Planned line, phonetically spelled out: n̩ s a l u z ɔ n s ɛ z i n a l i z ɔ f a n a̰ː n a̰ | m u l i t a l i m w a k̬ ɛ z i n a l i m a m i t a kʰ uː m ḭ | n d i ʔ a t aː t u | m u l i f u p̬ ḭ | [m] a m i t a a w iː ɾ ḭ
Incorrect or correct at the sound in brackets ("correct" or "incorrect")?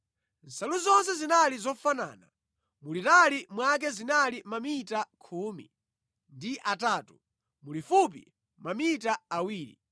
correct